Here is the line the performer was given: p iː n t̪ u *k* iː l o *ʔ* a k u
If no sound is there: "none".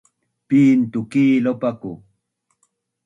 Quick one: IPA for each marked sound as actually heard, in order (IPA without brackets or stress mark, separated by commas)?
k, p